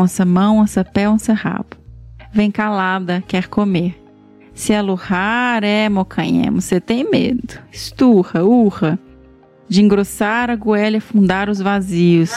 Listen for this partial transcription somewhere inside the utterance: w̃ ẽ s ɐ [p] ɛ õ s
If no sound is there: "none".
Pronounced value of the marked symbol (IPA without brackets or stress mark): p